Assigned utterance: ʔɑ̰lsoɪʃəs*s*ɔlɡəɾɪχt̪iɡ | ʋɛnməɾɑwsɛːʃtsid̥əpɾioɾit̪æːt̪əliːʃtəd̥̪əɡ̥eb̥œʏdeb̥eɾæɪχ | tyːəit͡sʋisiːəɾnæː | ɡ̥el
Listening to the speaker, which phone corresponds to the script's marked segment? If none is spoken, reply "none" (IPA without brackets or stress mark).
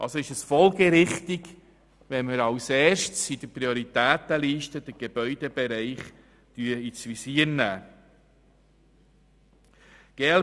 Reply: f